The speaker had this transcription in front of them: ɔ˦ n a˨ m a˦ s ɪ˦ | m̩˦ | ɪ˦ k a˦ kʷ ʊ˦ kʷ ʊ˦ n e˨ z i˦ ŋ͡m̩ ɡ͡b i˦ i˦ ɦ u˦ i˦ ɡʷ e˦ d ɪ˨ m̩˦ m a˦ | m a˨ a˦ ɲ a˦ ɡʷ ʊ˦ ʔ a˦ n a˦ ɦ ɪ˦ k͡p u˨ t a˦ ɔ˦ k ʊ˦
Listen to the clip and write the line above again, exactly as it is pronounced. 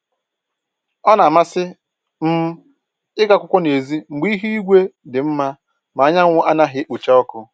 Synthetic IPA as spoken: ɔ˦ n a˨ m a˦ s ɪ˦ | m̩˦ | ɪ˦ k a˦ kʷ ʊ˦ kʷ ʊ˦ n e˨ z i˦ ŋ͡m̩ ɡ͡b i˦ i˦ ɦ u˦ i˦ ɡʷ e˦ d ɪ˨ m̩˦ m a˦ | m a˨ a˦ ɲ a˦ ŋʷ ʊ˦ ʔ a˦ n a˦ ɦ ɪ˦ k͡p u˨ t͡ʃ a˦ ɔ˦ k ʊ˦